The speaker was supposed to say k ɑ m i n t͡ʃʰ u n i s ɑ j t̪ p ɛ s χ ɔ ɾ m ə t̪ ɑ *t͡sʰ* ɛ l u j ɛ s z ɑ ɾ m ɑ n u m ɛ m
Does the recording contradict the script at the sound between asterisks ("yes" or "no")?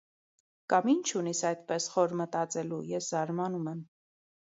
yes